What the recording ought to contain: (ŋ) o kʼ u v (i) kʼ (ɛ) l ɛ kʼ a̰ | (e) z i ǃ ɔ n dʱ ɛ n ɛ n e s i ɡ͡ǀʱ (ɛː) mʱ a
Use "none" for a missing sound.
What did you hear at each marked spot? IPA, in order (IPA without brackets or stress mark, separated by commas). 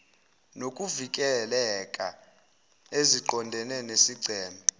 n, i, ɛ, e, ɛː